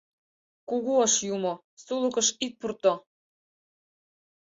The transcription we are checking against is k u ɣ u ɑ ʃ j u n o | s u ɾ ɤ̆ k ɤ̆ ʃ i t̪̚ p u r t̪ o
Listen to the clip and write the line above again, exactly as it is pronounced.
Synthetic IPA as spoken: k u ɣ u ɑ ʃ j u m o | s u l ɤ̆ k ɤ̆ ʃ i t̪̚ p u r t̪ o